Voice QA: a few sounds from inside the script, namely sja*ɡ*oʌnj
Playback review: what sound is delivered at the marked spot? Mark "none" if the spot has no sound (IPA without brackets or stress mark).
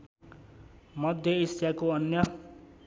k